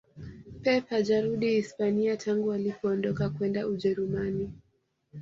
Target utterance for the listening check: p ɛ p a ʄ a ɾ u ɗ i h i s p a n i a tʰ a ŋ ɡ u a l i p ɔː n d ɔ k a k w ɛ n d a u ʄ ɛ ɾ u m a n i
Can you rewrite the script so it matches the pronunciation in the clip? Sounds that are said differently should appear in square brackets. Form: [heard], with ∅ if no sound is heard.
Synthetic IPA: p ɛ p a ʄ a ɾ u ɗ i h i s p a n i a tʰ a ŋ ɡ u a l i p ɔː n d ɔ k a k w ɛ n d a u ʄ ɛ ɾ u m a n i